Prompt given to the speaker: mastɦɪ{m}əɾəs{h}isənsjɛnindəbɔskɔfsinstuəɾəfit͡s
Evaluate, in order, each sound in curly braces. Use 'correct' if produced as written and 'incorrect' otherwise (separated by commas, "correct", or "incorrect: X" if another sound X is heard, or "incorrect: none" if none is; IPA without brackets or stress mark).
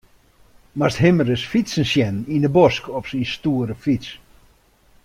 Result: correct, incorrect: f